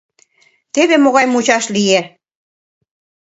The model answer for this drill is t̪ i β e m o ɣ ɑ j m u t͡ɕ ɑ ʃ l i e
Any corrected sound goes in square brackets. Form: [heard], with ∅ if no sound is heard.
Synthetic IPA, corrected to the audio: t̪ [e] β e m o ɣ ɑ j m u t͡ɕ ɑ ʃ l i e

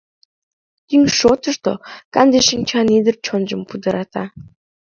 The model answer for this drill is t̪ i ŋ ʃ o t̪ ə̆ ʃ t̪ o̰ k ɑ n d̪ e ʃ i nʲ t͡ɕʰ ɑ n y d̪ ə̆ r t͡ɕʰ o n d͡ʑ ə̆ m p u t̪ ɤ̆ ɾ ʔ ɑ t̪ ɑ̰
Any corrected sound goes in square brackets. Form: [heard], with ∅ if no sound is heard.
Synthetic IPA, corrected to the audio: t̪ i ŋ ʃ o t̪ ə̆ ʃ t̪ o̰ k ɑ n d̪ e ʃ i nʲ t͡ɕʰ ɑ n [i] d̪ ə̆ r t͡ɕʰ o n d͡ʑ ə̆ m p u [d̪] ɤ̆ ɾ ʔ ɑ t̪ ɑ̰

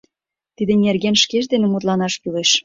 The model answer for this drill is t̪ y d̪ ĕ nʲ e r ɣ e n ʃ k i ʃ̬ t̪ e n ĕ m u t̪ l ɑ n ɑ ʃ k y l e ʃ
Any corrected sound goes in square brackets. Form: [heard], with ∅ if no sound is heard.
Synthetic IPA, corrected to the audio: t̪ [i] d̪ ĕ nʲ e r ɣ e n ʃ k [e] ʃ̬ [d̪] e n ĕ m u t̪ l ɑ n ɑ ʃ k y l e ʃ

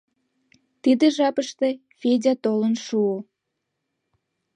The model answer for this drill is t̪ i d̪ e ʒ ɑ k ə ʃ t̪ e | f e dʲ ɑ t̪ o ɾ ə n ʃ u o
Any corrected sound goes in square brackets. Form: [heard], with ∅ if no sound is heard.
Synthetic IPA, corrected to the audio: t̪ i d̪ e ʒ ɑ [p] ə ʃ t̪ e | f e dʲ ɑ t̪ o [l] ə n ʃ u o

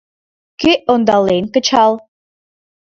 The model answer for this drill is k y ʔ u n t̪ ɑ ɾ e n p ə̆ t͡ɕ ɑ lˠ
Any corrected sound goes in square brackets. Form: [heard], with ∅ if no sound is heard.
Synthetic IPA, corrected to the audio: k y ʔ [o] n [d̪] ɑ [l] e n [k] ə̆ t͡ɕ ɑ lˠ

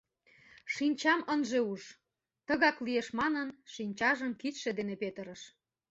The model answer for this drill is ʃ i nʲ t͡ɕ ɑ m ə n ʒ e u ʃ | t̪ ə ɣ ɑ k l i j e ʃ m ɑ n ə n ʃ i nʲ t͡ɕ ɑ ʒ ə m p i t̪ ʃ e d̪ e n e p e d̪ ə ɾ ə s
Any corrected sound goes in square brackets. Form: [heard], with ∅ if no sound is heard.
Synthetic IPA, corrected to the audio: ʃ i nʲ t͡ɕ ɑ m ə n ʒ e u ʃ | t̪ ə ɣ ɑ k l i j e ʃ m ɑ n ə n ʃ i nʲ t͡ɕ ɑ ʒ ə m [k] i t̪ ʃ e d̪ e n e p e [t̪] ə ɾ ə [ʃ]

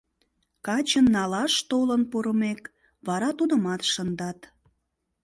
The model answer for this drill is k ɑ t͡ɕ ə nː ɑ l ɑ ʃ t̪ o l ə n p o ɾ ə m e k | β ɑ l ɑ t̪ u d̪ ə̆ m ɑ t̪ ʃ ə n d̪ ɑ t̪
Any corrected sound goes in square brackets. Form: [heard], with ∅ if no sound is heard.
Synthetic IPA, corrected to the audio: k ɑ t͡ɕ ə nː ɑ l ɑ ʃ t̪ o l ə n p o ɾ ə m e k | β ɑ [ɾ] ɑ t̪ u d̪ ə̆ m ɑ t̪ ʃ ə n d̪ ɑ t̪

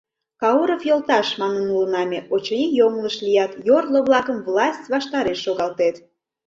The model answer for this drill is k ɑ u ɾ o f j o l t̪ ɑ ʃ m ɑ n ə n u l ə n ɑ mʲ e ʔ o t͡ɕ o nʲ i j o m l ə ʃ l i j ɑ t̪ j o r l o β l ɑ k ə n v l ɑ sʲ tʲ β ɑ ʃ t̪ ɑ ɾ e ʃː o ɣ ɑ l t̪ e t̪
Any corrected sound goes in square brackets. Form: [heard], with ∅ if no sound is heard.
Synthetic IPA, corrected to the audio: k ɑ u ɾ o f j o l t̪ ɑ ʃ m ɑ n ə n u l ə n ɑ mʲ e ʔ o t͡ɕ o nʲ i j o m l ə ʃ l i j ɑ t̪ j o r l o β l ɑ k ə [m] v l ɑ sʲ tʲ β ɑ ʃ t̪ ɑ ɾ e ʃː o ɣ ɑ l t̪ e t̪

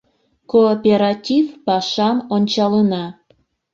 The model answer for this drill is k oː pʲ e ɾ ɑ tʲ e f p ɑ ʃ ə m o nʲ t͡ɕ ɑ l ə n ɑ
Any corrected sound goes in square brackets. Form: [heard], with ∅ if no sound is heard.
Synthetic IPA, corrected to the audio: k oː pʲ e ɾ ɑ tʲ [i] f p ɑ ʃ [ɑ] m o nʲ t͡ɕ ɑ l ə n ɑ

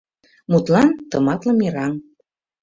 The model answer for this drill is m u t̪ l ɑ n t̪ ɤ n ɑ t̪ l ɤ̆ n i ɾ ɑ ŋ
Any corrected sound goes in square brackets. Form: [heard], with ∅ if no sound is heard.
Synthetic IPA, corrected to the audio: m u t̪ l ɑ n t̪ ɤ [m] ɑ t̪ l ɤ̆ [m] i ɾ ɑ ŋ

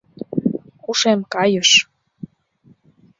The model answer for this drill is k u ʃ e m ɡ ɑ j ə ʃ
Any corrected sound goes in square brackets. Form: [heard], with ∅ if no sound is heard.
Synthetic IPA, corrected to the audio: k u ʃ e m [k] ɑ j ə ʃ

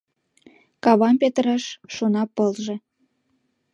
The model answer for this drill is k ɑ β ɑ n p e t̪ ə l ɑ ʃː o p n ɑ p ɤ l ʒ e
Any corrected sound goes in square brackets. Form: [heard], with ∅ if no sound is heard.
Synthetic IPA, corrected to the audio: k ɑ β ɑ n p e t̪ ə [ɾ] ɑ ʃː o [∅] n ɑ p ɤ l ʒ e

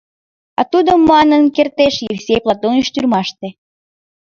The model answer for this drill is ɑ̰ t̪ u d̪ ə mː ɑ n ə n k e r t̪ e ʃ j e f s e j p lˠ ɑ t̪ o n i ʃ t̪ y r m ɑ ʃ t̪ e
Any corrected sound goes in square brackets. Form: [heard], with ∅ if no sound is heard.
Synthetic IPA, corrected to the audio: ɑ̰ t̪ u d̪ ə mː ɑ n ə n k e r t̪ e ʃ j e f s e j p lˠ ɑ t̪ o n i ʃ t̪ y r m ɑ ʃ t̪ e

